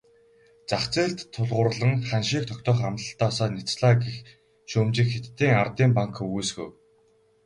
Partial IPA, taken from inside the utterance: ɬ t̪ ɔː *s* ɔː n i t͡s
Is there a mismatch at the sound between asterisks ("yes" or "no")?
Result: no